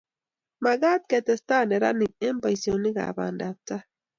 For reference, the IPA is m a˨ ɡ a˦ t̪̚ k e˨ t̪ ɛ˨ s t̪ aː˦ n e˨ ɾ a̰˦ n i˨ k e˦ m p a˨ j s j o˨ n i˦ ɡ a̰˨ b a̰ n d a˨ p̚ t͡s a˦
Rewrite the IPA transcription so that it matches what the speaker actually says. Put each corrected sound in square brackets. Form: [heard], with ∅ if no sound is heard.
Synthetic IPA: m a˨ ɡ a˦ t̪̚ k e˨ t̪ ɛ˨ s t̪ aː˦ n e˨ ɾ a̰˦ n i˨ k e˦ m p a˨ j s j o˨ n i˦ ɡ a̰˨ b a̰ n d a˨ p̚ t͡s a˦